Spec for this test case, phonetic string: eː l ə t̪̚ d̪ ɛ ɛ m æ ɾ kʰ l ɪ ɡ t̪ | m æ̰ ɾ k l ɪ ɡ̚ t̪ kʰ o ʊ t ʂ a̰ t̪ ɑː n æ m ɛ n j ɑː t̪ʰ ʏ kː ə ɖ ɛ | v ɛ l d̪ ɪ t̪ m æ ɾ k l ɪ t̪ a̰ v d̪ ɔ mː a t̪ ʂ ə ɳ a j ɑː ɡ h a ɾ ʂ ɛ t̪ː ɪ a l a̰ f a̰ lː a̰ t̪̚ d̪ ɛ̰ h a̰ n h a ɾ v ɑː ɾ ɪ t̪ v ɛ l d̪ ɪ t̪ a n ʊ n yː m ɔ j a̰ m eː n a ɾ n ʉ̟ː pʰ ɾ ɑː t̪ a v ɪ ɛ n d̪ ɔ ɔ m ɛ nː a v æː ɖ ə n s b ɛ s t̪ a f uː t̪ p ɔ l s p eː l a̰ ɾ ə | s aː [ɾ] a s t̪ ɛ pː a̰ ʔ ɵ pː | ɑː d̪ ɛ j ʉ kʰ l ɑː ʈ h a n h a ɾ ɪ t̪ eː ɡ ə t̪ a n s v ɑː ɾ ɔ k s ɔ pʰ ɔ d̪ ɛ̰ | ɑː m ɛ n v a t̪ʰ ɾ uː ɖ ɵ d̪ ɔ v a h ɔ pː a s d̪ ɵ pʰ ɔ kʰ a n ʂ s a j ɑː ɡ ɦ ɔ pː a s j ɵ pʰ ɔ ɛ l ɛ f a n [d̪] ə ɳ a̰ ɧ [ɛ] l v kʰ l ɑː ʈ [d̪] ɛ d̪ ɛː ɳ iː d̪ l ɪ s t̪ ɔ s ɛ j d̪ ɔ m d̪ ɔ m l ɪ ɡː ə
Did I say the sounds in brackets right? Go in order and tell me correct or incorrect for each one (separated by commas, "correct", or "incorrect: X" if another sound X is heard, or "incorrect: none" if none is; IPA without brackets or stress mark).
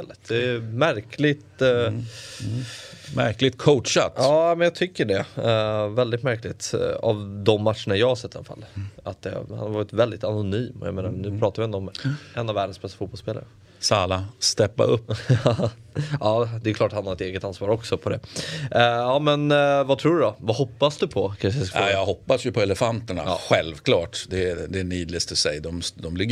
incorrect: l, incorrect: t̪, correct, correct